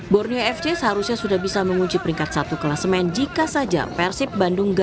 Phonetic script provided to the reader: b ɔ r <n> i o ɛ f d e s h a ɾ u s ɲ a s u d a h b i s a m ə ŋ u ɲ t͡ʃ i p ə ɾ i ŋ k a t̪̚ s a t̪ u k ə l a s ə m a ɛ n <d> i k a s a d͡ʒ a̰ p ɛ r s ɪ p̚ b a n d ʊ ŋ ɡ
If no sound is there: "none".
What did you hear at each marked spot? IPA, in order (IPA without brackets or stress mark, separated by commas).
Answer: n, d͡ʒ